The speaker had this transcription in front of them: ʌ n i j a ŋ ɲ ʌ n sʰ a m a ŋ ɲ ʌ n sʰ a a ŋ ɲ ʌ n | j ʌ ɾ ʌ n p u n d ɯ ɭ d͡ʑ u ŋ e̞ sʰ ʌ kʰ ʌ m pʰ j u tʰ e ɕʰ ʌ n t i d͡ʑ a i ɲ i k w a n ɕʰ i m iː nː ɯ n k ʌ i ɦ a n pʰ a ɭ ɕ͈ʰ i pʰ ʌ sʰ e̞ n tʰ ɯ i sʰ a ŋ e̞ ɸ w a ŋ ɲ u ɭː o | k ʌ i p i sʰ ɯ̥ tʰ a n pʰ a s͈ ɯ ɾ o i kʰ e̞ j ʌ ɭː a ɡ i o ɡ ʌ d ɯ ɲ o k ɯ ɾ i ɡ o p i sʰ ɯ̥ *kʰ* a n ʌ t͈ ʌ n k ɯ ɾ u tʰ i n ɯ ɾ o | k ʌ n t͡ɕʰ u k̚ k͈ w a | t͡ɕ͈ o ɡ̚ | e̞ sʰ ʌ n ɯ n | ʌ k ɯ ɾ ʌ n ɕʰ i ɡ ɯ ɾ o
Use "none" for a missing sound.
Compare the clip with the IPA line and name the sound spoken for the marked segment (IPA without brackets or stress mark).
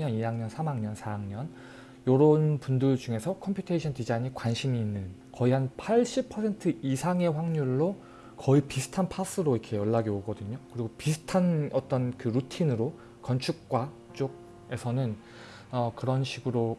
tʰ